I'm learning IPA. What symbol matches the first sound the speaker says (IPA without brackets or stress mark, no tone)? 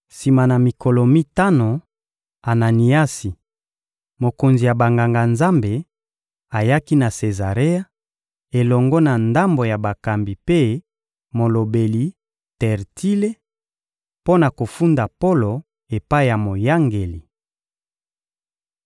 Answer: s